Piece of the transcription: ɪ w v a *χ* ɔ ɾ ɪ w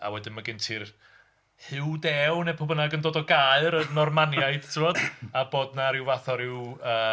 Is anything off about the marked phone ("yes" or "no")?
yes